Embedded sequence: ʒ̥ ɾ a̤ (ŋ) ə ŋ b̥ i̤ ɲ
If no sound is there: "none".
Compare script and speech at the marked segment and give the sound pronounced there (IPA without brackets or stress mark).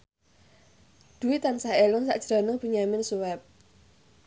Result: n